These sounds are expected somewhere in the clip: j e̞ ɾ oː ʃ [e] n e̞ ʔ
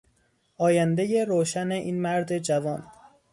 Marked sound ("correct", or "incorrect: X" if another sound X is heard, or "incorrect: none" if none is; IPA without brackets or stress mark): incorrect: æ